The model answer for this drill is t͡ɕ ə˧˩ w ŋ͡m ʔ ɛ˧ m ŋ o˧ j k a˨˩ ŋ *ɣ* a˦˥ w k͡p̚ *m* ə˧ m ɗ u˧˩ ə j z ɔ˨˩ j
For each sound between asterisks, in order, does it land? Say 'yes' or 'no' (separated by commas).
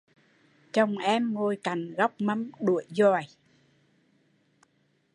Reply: yes, yes